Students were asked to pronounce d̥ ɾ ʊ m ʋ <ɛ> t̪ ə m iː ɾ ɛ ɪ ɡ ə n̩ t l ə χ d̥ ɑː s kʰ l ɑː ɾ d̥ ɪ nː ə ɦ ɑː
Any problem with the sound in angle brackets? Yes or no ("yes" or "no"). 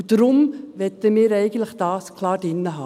no